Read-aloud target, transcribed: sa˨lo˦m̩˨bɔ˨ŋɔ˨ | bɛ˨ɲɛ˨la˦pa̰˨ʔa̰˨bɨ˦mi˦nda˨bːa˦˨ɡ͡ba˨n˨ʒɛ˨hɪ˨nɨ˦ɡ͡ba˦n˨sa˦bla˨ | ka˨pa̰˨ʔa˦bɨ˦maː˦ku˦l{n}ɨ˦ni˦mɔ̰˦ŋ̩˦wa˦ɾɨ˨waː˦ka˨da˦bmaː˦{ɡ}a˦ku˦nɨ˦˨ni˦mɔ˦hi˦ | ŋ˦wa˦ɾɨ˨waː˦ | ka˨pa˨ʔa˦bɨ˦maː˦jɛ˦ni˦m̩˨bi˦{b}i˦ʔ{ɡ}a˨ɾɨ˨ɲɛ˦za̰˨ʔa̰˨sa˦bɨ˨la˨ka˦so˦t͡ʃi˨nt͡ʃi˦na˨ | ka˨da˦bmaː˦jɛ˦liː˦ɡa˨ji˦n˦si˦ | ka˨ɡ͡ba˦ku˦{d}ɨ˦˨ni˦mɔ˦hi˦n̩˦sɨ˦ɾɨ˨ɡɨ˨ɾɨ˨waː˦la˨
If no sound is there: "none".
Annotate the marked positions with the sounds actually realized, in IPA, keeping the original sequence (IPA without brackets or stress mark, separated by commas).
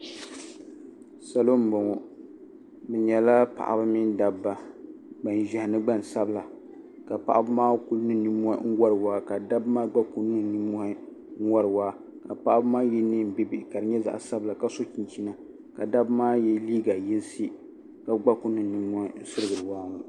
n, ɡ͡b, b, k, n